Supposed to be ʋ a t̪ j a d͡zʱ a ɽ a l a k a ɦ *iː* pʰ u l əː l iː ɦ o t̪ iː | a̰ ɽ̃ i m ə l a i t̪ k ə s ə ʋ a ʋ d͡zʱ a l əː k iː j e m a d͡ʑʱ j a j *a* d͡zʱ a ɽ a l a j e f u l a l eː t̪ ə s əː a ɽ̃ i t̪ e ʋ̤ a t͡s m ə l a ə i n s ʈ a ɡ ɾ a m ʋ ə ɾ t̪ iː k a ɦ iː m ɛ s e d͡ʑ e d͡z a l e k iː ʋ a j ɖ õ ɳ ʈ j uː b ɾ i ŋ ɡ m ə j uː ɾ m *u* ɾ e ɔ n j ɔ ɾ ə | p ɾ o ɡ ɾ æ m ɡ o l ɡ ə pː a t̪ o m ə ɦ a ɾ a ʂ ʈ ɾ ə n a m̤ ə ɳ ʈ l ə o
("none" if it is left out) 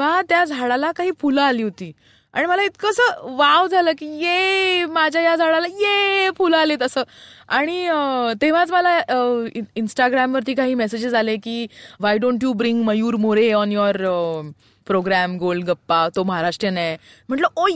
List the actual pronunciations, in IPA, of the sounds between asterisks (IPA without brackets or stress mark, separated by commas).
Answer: iː, a, o